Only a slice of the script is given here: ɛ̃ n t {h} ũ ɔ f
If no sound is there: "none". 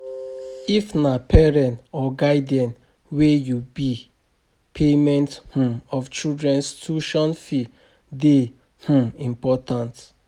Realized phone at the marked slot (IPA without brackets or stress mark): h